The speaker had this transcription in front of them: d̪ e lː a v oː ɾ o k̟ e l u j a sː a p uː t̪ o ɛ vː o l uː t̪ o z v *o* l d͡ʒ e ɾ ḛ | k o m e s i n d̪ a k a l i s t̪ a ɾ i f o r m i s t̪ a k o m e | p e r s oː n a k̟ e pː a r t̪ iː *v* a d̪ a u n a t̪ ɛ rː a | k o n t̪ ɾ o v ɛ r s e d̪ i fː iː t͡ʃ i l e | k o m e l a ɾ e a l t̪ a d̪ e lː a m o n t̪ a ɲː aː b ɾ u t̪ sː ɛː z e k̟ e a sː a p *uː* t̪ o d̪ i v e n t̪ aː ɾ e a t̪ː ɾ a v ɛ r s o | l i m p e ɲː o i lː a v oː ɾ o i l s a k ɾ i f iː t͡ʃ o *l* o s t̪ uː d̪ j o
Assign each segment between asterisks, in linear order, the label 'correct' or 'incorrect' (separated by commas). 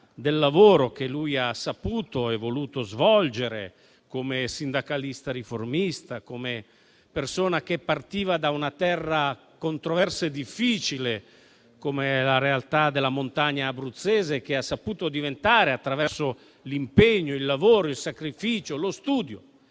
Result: incorrect, correct, correct, correct